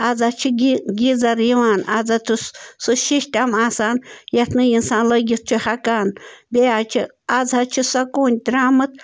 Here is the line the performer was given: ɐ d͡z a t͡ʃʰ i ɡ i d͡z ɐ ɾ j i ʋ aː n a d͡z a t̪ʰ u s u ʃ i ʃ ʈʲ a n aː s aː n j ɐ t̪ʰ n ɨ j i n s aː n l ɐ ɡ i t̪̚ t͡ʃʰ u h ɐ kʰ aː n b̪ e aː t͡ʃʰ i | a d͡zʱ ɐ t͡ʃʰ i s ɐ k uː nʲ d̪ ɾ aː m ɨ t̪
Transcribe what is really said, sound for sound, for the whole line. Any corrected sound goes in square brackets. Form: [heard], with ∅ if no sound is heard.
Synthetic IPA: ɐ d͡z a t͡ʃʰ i ɡ i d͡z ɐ ɾ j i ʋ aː n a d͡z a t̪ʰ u s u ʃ i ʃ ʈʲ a [m] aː s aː n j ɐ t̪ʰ n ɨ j i n s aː n l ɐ ɡ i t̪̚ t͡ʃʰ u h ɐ [k] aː n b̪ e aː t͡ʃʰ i | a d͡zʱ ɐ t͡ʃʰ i s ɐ k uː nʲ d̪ ɾ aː m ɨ t̪

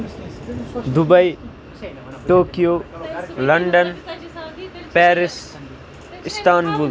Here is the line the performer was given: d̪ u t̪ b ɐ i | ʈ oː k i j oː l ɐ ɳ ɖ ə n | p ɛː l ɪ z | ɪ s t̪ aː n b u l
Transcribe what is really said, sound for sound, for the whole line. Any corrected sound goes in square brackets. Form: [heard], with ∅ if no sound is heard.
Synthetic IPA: d̪ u [∅] b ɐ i | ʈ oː k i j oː l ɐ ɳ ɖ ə n | p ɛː [ɾ] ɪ [s] | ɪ s t̪ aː n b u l

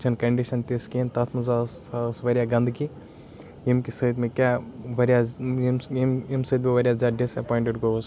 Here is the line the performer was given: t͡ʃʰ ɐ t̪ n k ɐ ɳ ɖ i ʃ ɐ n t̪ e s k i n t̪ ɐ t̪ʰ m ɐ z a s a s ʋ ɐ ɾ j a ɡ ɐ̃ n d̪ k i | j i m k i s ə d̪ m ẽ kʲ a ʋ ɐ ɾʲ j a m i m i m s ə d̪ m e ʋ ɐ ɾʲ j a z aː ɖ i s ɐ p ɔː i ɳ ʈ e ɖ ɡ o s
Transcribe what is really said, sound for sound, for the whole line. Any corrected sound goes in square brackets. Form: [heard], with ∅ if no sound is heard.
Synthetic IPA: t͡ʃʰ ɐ [∅] n k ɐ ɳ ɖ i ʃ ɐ n t̪ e s k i n t̪ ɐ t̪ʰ m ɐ z a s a s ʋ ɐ ɾ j a ɡ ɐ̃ n d̪ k i | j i m k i s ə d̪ m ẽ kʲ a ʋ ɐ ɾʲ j a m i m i m s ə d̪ m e ʋ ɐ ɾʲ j a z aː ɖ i s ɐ p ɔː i ɳ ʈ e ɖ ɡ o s

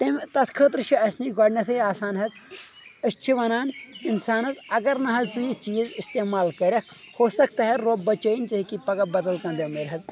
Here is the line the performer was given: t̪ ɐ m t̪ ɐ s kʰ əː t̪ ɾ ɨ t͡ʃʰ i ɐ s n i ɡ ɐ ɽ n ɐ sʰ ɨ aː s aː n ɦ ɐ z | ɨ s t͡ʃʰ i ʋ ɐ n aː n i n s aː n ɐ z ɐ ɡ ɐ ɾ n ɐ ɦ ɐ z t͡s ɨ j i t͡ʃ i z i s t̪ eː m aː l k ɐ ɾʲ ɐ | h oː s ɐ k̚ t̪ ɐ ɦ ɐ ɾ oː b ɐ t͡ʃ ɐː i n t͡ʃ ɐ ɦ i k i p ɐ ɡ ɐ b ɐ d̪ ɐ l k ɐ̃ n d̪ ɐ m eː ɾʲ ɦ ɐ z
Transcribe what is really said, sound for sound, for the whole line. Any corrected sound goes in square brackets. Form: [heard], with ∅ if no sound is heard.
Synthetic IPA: t̪ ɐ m t̪ ɐ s kʰ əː t̪ ɾ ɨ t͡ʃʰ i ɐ s n i ɡ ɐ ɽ n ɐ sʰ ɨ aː s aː n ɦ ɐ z | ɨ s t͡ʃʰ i ʋ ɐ n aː n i n s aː n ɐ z ɐ ɡ ɐ ɾ n ɐ ɦ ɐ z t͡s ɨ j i t͡ʃ [iː] z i s t̪ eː m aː l k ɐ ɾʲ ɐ | h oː s ɐ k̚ t̪ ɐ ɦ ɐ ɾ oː b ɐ t͡ʃ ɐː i n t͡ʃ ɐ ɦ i k i p ɐ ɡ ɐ b ɐ d̪ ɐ l k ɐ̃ n d̪ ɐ m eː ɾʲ ɦ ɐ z

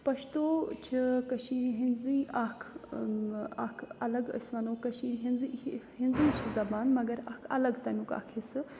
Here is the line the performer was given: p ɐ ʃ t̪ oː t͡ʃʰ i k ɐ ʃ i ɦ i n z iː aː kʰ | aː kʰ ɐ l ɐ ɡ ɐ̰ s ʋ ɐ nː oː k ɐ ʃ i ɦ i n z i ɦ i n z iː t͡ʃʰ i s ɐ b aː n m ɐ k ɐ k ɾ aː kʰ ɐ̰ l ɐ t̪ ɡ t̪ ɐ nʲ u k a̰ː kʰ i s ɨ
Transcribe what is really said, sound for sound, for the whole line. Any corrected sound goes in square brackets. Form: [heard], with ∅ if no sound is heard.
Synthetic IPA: p ɐ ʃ t̪ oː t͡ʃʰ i k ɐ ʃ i ɦ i n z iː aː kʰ | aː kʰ ɐ l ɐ ɡ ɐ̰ s ʋ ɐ [n] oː k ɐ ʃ i ɦ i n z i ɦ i n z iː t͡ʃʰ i [z] ɐ b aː n m ɐ [ɡ] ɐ [∅] ɾ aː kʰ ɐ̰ l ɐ [∅] ɡ t̪ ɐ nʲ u k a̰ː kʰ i s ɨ

